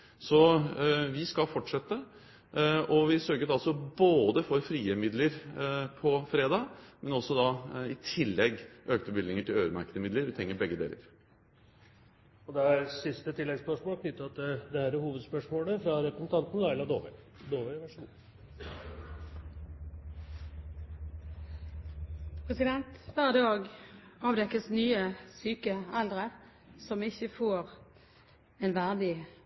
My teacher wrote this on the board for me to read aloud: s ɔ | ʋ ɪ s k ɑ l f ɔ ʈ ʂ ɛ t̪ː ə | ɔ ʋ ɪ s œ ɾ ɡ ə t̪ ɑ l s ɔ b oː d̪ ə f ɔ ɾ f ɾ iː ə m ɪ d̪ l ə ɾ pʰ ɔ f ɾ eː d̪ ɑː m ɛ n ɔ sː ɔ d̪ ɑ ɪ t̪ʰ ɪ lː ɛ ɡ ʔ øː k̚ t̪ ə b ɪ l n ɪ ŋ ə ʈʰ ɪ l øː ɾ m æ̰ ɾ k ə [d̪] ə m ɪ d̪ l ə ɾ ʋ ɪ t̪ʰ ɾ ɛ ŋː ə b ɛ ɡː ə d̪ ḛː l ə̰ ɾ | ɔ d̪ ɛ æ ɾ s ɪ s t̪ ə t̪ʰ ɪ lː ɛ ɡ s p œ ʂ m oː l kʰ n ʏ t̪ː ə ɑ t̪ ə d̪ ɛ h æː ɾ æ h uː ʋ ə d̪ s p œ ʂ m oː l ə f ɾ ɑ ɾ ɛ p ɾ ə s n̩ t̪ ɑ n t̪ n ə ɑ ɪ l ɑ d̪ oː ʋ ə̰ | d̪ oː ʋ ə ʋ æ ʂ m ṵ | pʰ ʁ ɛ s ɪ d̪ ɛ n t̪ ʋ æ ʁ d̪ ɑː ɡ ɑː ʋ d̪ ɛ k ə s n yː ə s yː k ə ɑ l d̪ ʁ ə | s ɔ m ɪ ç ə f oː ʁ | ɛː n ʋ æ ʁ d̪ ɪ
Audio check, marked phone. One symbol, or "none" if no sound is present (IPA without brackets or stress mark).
d̪